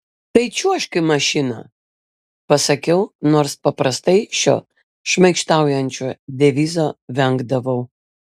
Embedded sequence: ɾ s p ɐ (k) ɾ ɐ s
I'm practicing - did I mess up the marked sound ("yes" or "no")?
yes